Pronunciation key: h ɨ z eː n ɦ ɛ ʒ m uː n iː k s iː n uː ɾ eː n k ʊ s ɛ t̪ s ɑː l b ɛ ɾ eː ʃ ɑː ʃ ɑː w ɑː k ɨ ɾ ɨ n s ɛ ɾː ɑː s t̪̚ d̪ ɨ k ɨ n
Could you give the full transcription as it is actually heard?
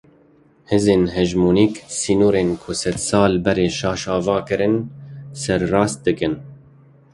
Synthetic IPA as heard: h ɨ z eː n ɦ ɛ ʒ m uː n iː k s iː n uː ɾ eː n kʰ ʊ s ɛ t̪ s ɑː l b ɛ ɾ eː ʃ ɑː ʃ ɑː v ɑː k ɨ ɾ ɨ n s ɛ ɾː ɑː s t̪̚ d̪ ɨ k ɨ n

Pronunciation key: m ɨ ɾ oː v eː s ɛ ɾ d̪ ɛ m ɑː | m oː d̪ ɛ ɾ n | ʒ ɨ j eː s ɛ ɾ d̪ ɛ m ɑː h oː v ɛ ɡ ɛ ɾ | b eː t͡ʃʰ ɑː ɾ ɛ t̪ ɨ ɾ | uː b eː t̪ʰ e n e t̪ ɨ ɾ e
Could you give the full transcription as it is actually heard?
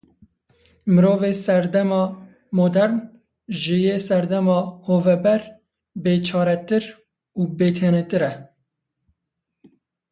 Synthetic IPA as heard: m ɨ ɾ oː v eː s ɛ ɾ d̪ ɛ m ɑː | m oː d̪ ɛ ɾ n | ʒ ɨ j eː s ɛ ɾ d̪ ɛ m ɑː h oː v ɛ b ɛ ɾ | b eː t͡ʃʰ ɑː ɾ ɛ t̪ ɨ ɾ | uː b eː t̪ʰ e n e t̪ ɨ ɾ ɛ

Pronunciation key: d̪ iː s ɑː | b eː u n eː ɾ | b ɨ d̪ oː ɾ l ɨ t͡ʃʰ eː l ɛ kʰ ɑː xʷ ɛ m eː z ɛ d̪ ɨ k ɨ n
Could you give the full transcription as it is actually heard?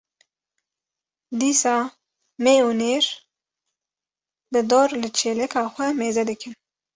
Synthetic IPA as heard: d̪ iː s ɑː | m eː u n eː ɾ | b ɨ d̪ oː ɾ l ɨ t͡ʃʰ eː l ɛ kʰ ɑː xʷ ɛ m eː z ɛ d̪ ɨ k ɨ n

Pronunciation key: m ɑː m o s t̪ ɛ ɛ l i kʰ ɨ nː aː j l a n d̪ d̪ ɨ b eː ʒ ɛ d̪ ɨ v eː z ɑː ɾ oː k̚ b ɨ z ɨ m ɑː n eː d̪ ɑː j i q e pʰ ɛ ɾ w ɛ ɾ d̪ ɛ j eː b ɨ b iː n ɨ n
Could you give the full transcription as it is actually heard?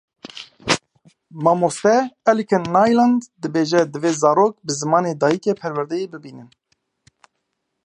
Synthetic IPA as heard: m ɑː m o s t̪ ɛ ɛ l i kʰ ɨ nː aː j l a n d̪ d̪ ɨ b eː ʒ ɛ d̪ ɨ v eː z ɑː ɾ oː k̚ b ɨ z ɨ m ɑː n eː d̪ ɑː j i k e pʰ ɛ ɾ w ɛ ɾ d̪ ɛ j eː b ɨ b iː n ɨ n

